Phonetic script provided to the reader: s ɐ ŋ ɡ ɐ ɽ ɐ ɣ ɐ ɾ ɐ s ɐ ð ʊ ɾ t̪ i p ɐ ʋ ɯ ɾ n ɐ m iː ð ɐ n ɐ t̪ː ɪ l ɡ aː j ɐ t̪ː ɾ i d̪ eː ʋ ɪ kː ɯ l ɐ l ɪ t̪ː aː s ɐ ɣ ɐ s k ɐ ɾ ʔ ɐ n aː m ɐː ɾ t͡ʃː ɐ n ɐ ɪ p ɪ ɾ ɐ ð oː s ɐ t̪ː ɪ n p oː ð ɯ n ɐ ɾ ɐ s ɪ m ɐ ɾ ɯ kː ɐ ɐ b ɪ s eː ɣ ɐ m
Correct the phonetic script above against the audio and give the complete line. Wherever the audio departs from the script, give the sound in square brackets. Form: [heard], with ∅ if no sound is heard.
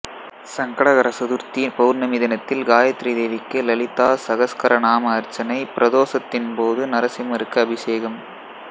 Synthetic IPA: s ɐ ŋ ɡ ɐ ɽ ɐ ɣ ɐ ɾ ɐ s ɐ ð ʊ ɾ t̪ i p ɐ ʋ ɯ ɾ n ɐ m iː ð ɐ n ɐ t̪ː ɪ l ɡ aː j ɐ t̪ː ɾ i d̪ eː ʋ ɪ kː ɯ l ɐ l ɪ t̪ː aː s ɐ ɣ ɐ s k ɐ ɾ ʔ ɐ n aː m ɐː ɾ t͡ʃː ɐ n ɐ ɪ p ɪ ɾ ɐ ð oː s ɐ t̪ː ɪ n p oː ð ɯ n ɐ ɾ ɐ s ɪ m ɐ ɾ ɯ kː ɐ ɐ b ɪ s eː ɣ ɐ m